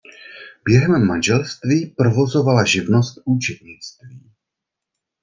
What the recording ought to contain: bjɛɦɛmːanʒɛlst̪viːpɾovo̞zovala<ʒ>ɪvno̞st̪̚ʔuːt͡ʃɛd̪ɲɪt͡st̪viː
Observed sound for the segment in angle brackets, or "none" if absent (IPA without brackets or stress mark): ʒ